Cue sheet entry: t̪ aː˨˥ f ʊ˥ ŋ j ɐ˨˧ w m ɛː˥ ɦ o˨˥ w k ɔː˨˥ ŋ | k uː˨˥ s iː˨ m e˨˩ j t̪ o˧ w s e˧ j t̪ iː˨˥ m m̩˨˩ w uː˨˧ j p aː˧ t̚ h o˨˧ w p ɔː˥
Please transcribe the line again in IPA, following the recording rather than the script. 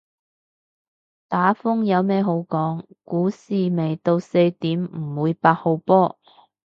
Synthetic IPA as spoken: t̪ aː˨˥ f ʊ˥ ŋ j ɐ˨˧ w m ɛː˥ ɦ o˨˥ w k ɔː˨˥ ŋ | k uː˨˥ s iː˨ m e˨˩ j t̪ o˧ w s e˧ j t̪ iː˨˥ m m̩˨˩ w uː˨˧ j p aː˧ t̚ h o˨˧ w p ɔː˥